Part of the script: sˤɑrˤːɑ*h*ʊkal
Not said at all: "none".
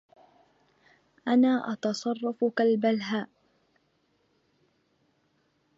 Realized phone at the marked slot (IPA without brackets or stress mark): f